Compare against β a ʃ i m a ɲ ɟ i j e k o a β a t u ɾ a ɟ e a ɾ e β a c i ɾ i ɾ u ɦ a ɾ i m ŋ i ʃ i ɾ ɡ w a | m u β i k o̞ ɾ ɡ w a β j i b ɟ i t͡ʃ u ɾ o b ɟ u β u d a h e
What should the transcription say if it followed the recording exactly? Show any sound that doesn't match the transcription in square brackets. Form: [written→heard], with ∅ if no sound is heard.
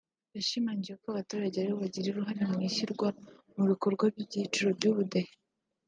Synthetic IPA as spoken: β a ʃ i m a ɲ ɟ i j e k o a β a t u ɾ a ɟ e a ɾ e β a [c→ɟ] i ɾ i ɾ u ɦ a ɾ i m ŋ i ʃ i ɾ ɡ w a | m u β i k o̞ ɾ ɡ w a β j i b ɟ i t͡ʃ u ɾ o b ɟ u β u d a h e

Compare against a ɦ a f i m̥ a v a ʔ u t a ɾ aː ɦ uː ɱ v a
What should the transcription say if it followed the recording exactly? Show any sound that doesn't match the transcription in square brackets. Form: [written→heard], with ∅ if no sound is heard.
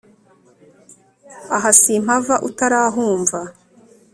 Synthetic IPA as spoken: a ɦ a [f→s] i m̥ a v a ʔ u t a ɾ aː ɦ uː ɱ v a

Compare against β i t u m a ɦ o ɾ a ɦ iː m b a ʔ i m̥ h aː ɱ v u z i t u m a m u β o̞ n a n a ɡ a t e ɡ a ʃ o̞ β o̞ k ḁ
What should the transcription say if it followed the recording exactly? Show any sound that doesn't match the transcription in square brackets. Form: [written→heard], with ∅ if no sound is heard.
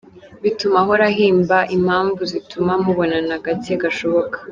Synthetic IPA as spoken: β i t u m a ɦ o ɾ a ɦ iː m b a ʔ i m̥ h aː ɱ v u z i t u m a m u β o̞ n a n a ɡ a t e ɡ a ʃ o̞ β o̞ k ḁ

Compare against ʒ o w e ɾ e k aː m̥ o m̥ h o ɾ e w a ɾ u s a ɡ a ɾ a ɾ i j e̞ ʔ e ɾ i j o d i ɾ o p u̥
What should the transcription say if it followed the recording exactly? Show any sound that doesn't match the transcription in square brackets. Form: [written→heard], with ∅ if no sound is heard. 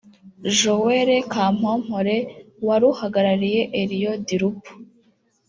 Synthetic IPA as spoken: ʒ o w e ɾ e k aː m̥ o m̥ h o ɾ e w a ɾ u [s→h] a ɡ a ɾ a ɾ i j e̞ ʔ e ɾ i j o d i ɾ [o→u] p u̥

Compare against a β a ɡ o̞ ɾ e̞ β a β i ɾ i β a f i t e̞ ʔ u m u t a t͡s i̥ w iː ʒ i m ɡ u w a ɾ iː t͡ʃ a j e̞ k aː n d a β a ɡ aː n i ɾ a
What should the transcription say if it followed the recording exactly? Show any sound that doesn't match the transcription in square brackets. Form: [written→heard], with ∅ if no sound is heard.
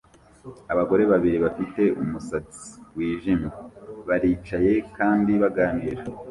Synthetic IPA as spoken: a β a ɡ o̞ ɾ e̞ β a β i ɾ i β a f i t e̞ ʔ u m u [t→s] a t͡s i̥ w iː ʒ i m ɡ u [w→β] a ɾ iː t͡ʃ a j e̞ k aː n d [a→i] β a ɡ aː n i ɾ a

